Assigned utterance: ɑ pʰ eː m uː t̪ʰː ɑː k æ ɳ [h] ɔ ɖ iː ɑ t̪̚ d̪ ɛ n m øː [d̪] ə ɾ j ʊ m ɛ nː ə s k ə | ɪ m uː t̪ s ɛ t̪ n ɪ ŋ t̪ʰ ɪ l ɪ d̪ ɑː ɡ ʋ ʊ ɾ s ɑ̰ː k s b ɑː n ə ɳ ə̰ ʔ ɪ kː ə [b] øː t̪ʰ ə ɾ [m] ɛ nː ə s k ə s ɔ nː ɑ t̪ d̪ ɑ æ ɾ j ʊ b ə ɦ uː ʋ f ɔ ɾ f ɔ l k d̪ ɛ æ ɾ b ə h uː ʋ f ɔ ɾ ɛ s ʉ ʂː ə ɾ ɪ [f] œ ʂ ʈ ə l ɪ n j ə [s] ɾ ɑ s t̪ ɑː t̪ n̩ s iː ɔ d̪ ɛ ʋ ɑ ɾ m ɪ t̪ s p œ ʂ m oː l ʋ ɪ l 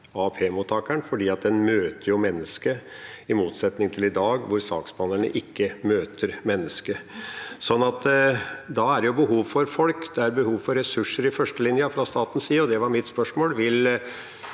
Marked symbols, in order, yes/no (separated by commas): no, no, no, yes, yes, no